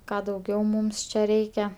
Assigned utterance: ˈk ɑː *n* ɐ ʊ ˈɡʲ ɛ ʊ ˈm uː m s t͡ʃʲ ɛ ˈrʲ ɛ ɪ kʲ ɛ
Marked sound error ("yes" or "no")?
yes